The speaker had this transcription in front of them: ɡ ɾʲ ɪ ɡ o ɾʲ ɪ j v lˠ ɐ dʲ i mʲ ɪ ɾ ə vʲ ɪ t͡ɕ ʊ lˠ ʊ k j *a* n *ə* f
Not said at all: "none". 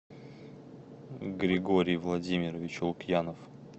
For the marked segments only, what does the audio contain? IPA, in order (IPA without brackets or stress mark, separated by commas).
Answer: a, ə